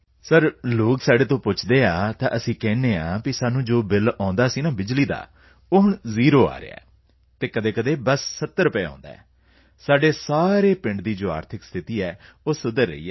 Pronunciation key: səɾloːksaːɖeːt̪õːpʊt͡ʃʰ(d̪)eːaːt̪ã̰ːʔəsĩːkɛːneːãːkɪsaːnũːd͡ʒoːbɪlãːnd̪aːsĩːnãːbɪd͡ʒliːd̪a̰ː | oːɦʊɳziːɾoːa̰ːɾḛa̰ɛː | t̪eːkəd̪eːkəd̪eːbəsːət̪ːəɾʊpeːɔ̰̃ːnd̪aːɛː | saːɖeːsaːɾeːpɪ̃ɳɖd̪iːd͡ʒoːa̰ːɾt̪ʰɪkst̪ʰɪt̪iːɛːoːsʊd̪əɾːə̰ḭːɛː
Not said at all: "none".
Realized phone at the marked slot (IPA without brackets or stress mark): d̪